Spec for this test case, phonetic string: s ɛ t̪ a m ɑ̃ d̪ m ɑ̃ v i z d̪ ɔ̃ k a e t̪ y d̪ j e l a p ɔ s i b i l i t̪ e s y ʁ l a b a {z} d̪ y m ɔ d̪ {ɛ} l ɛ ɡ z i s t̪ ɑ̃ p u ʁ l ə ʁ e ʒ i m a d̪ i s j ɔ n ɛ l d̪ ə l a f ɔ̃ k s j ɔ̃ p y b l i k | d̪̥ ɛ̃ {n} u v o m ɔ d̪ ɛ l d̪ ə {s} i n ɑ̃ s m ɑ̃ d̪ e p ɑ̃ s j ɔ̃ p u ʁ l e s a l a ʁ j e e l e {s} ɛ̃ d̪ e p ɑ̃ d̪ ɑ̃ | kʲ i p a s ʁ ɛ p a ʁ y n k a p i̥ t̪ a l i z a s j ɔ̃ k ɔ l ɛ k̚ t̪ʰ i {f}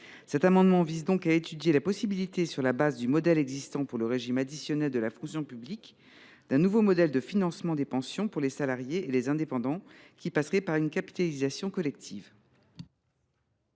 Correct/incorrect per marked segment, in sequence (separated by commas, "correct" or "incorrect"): correct, correct, correct, incorrect, incorrect, incorrect